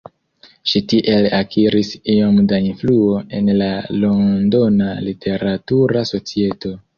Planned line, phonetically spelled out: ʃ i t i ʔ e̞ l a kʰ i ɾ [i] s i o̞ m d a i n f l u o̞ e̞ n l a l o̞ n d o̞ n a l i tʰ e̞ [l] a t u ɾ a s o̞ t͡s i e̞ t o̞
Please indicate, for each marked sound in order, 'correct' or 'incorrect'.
correct, incorrect: ɾ

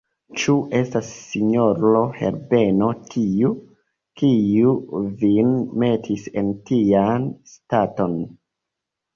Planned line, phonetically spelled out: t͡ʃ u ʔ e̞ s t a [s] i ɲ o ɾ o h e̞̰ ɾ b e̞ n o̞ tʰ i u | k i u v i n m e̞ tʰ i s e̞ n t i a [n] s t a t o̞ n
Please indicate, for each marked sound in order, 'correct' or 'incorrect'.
incorrect: sː, correct

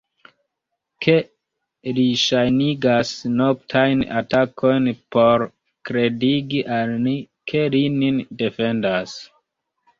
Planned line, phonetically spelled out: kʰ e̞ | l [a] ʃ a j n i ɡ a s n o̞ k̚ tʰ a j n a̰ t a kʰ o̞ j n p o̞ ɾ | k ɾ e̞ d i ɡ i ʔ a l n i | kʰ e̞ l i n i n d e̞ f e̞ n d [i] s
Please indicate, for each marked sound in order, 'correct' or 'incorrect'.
incorrect: i, incorrect: a

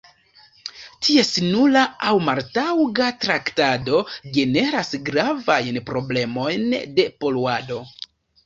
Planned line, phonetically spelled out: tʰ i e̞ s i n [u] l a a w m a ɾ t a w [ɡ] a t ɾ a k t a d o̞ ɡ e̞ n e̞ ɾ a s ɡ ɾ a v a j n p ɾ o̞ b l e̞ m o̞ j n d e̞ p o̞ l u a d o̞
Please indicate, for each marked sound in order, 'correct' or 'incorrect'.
correct, correct

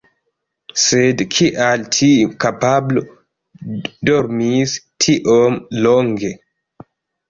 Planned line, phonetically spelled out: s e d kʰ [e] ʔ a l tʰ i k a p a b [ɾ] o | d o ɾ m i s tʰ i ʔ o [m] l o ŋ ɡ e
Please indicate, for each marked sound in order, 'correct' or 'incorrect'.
incorrect: i, incorrect: l, correct

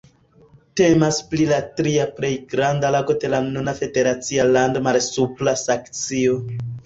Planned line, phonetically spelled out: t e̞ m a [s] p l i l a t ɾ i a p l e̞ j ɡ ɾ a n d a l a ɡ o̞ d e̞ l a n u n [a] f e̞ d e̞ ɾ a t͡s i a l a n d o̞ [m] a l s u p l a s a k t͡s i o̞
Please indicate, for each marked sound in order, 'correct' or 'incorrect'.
correct, correct, correct

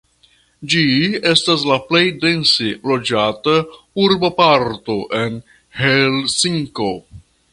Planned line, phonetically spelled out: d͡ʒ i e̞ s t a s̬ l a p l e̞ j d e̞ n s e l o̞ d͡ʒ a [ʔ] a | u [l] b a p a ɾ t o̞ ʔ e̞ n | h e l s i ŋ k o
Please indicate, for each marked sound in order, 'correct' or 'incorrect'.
incorrect: t, incorrect: ɾ

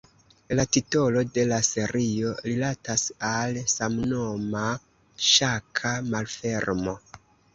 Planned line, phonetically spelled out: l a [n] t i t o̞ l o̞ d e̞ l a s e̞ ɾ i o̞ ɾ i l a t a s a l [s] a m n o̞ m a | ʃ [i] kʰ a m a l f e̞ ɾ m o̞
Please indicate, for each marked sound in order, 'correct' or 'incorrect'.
incorrect: none, correct, incorrect: a

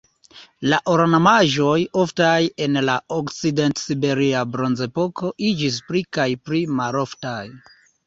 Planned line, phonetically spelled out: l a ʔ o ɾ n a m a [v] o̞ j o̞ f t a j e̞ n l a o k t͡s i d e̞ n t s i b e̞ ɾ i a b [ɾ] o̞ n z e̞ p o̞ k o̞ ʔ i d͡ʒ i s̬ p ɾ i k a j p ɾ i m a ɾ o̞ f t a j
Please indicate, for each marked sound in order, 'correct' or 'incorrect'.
incorrect: ʒ, correct

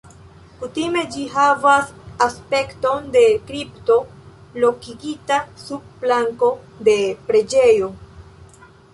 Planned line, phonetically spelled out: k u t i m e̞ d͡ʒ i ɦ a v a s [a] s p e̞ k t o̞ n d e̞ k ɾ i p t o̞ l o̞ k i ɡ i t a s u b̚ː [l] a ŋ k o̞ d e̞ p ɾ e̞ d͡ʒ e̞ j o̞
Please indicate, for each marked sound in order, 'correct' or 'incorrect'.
correct, correct

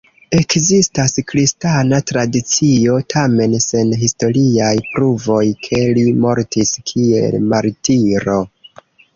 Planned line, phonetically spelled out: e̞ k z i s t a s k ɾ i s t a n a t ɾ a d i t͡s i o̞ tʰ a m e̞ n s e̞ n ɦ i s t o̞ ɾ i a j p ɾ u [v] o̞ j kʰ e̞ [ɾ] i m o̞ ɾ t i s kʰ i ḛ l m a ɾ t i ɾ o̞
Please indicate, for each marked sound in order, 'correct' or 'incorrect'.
correct, incorrect: l

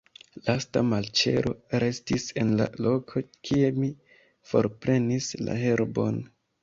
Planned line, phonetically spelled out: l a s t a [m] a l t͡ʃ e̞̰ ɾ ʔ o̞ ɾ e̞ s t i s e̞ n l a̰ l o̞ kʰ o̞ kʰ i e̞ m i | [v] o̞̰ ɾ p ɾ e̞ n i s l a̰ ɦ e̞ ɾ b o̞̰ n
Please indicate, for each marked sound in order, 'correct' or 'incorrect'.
correct, incorrect: f

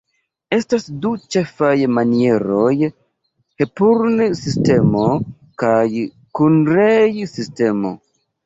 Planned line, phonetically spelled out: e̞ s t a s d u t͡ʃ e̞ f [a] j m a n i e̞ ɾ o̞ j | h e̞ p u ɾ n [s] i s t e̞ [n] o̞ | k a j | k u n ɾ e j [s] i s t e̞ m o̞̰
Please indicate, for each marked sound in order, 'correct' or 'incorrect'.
correct, correct, incorrect: m, correct

